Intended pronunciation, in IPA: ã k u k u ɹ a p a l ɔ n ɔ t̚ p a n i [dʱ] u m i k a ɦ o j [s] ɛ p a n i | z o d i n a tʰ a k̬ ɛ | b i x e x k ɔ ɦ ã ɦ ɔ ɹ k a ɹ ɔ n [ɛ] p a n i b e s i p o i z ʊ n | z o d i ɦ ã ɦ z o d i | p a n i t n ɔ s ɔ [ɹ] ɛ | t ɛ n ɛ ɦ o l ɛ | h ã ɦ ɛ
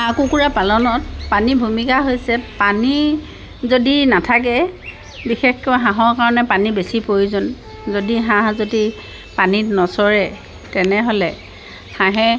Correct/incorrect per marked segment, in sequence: incorrect, correct, correct, correct

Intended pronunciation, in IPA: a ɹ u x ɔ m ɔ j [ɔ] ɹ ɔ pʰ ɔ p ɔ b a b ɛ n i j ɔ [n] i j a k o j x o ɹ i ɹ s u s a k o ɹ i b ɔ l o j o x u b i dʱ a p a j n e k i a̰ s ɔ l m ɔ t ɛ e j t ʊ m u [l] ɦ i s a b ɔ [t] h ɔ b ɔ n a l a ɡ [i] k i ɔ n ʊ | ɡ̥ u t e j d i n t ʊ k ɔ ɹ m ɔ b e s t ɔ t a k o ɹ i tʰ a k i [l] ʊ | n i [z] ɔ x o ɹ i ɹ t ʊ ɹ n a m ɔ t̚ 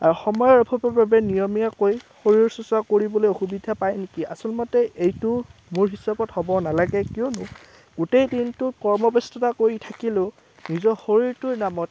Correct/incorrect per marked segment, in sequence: correct, incorrect, incorrect, correct, incorrect, correct, correct

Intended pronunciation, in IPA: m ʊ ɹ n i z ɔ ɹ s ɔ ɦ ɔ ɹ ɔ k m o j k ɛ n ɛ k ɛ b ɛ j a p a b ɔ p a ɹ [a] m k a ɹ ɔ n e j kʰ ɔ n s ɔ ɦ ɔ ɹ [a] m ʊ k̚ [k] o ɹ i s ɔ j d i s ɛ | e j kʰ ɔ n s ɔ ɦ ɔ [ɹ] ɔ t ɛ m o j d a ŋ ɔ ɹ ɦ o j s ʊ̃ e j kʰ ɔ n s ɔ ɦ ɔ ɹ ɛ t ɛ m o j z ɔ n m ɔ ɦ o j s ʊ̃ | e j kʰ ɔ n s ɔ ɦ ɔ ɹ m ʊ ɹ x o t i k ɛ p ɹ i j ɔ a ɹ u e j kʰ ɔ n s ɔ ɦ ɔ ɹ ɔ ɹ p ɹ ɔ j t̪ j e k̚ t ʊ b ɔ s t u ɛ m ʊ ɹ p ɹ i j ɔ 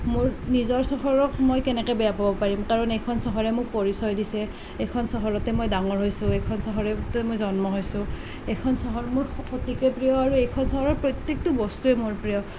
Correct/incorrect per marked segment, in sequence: incorrect, incorrect, incorrect, correct

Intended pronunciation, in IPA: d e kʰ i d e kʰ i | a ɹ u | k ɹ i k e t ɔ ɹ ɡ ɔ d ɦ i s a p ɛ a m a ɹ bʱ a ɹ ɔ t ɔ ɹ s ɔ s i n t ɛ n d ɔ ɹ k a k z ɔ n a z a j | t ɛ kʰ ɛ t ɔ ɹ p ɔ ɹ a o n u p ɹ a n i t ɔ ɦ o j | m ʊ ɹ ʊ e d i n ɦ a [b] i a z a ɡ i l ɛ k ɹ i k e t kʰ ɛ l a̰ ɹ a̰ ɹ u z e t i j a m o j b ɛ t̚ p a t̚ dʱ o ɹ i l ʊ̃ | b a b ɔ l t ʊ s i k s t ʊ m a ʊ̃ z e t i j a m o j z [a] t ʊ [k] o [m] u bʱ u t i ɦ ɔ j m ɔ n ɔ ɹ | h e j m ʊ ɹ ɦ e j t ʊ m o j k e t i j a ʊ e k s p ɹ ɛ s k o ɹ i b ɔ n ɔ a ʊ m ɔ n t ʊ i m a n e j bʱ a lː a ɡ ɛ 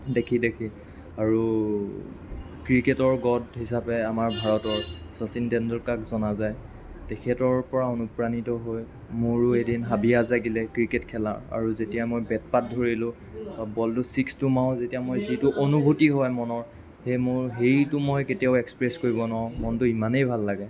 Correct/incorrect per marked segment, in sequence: correct, incorrect, incorrect, incorrect

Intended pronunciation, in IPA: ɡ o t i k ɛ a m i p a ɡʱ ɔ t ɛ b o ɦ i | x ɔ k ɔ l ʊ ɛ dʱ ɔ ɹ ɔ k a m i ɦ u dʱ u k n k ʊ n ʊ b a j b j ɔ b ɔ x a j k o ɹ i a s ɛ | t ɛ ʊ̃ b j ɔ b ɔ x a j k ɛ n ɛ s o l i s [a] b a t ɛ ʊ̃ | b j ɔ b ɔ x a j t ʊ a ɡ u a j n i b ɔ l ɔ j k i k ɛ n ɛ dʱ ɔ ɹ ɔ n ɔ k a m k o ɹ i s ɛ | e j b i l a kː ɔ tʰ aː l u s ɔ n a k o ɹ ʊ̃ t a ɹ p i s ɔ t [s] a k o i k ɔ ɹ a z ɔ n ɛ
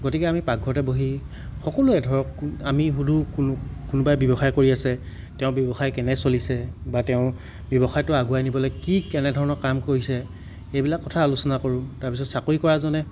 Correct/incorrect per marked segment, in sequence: incorrect, correct

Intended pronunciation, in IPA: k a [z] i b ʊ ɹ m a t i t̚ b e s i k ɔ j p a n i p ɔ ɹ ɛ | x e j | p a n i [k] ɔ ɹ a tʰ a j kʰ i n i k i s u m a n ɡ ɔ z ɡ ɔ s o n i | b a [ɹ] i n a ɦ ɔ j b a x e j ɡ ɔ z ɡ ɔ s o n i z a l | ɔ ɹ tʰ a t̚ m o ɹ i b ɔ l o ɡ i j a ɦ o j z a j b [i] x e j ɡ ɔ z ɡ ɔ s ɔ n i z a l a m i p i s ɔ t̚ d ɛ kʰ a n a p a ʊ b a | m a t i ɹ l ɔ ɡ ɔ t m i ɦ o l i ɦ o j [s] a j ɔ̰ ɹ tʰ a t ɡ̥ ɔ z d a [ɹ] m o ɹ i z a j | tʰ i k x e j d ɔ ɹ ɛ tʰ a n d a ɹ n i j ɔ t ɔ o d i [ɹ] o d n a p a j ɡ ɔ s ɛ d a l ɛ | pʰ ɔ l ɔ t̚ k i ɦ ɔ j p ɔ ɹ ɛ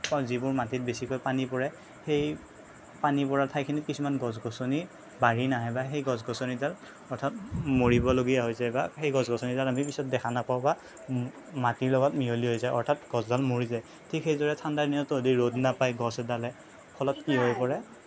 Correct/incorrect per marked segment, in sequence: correct, incorrect, correct, incorrect, incorrect, incorrect, correct

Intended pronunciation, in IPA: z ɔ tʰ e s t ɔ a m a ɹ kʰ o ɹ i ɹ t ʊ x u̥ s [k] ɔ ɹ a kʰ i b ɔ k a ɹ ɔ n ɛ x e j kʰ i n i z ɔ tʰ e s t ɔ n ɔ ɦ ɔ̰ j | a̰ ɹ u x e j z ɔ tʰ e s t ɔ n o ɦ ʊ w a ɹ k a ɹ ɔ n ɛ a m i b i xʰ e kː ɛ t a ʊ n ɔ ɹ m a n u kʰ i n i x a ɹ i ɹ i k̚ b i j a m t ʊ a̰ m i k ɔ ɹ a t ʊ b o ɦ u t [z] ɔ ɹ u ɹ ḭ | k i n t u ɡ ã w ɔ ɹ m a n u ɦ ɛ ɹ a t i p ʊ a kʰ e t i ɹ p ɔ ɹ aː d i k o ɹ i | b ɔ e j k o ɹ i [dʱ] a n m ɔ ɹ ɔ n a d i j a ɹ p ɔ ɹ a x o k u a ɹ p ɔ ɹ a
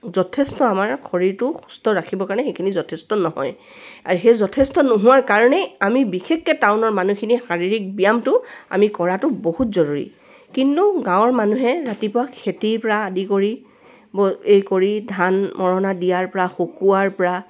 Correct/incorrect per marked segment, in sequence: incorrect, correct, correct

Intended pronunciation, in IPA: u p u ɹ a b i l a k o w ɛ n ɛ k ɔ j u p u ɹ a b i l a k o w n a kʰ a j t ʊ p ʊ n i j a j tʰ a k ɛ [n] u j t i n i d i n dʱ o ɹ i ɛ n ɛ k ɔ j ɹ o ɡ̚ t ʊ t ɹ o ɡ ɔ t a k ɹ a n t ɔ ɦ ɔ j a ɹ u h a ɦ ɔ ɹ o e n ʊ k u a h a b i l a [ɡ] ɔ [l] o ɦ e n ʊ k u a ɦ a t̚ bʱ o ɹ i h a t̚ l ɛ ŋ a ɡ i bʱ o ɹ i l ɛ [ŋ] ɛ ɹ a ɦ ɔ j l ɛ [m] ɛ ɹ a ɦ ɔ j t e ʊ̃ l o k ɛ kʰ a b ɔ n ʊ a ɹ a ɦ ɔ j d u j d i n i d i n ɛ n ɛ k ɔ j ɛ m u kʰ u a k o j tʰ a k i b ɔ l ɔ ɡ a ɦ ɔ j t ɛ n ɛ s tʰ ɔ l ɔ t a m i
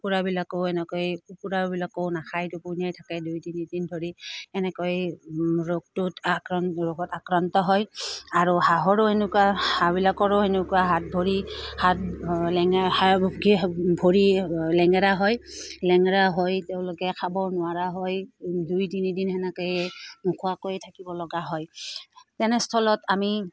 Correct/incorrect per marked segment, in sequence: incorrect, incorrect, incorrect, correct, incorrect

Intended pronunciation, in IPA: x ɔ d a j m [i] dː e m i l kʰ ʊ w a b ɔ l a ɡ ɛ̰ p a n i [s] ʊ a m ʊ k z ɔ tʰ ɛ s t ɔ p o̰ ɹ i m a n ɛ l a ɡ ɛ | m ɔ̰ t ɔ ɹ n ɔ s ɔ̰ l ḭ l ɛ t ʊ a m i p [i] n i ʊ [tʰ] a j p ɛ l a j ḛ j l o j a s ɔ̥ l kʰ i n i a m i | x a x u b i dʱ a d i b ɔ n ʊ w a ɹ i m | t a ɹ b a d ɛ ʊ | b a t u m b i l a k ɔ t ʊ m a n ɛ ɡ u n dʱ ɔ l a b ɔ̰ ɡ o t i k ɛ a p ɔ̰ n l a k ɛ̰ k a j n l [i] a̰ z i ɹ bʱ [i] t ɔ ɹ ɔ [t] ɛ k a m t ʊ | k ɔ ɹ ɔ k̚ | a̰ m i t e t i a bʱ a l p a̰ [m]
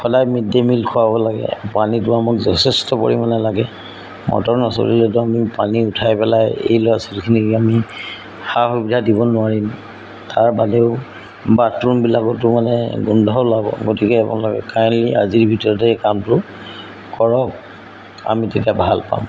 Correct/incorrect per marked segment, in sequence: correct, incorrect, incorrect, correct, correct, correct, correct, correct

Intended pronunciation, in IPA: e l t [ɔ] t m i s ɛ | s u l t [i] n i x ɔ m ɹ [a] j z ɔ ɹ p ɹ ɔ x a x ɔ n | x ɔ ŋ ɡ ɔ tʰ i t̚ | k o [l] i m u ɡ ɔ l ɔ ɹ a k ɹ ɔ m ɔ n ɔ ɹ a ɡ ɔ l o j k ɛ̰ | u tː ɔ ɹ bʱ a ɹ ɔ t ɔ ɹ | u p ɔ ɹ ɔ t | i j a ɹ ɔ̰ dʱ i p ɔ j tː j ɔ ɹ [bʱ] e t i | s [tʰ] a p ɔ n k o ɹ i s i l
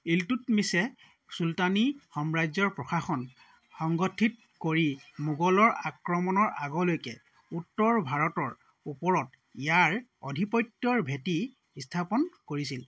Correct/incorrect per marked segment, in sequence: incorrect, incorrect, correct, incorrect, correct, correct

